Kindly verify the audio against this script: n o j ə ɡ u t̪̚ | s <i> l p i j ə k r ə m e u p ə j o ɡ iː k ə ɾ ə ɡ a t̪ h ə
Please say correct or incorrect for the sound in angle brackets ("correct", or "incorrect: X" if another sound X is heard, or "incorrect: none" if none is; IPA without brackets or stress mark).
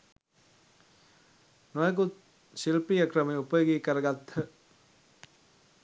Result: correct